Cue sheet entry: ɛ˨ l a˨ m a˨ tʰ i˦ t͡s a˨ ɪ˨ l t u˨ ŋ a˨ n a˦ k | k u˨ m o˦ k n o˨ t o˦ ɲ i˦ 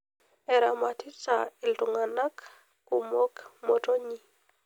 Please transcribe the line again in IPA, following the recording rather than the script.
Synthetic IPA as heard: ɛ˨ ɾ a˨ m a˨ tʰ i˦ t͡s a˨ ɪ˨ l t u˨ ŋ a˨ n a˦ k | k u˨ m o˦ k m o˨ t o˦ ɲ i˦